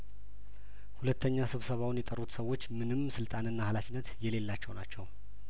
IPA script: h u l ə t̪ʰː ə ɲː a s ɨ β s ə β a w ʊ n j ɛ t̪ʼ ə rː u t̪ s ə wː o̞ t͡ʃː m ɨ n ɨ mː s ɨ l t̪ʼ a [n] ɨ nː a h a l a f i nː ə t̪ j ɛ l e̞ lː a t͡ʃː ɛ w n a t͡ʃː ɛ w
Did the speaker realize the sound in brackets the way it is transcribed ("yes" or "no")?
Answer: yes